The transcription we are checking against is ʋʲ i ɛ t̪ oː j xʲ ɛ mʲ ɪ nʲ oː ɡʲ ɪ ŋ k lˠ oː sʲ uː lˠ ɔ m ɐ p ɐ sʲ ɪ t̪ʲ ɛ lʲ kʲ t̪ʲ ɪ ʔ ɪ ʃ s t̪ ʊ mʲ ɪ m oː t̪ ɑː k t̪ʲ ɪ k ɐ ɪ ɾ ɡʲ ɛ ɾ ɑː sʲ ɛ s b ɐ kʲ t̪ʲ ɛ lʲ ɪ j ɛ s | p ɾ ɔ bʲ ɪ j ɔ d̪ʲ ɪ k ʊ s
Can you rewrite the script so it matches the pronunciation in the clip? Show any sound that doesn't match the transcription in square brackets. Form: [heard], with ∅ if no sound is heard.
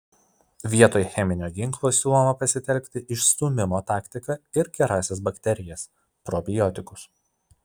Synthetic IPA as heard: ʋʲ i ɛ t̪ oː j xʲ ɛ mʲ ɪ nʲ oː ɡʲ ɪ ŋ k lˠ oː sʲ uː lˠ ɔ m ɐ p ɐ sʲ ɪ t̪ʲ ɛ lʲ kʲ t̪ʲ ɪ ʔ ɪ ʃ s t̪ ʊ mʲ ɪ m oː t̪ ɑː k t̪ʲ ɪ k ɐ ɪ ɾ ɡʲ ɛ ɾ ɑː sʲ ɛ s b ɐ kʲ t̪ʲ ɛ [ɾʲ] ɪ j ɛ s | p ɾ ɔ bʲ ɪ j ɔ [t̪ʲ] ɪ k ʊ s

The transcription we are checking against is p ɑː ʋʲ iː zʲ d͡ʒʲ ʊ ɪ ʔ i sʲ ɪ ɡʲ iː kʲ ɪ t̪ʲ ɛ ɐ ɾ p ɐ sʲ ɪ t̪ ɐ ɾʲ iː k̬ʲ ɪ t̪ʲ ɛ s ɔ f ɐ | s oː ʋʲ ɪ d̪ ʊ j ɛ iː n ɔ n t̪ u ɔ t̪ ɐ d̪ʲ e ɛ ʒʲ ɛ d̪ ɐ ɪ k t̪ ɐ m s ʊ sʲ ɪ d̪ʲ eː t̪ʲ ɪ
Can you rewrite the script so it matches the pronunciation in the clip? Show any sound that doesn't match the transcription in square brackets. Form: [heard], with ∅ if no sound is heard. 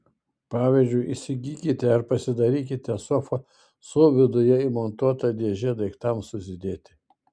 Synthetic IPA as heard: p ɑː ʋʲ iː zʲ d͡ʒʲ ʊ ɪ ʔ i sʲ ɪ ɡʲ iː kʲ ɪ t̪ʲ ɛ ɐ ɾ p ɐ sʲ ɪ [d̪] ɐ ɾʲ iː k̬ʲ ɪ t̪ʲ ɛ s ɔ f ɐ | s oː ʋʲ ɪ d̪ ʊ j ɛ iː [m] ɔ n t̪ u ɔ t̪ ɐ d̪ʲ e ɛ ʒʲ ɛ d̪ ɐ ɪ k t̪ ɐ m s ʊ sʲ ɪ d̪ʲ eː t̪ʲ ɪ

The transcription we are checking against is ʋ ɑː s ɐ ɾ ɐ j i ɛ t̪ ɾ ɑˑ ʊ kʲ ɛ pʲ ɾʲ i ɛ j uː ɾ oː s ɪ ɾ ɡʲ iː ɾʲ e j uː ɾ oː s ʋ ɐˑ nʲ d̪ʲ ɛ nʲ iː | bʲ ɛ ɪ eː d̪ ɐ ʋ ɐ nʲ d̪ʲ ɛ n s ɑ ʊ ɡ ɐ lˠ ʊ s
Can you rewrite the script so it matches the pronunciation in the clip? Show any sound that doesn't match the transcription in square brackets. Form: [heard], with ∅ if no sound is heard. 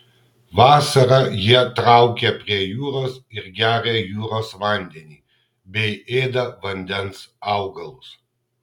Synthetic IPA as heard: ʋ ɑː s ɐ ɾ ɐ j i ɛ t̪ ɾ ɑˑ ʊ kʲ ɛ pʲ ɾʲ i ɛ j uː ɾ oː s ɪ ɾ ɡʲ [æː] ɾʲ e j uː ɾ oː s ʋ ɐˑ nʲ d̪ʲ ɛ nʲ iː | bʲ ɛ ɪ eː d̪ ɐ ʋ ɐ nʲ d̪ʲ ɛ n s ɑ ʊ ɡ ɐ lˠ ʊ s

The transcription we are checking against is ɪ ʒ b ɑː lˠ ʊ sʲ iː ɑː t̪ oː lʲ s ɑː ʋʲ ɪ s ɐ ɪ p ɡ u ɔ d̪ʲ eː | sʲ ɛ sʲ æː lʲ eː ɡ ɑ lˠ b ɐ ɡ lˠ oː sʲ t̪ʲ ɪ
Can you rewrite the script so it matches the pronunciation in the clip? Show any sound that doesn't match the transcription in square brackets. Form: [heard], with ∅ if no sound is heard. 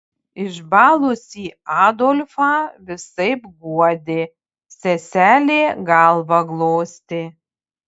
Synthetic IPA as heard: ɪ ʒ b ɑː lˠ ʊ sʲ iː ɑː [d̪] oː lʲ [f] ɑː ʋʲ ɪ s ɐ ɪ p ɡ u ɔ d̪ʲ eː | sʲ ɛ sʲ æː lʲ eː ɡ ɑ lˠ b ɐ ɡ lˠ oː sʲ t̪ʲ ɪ

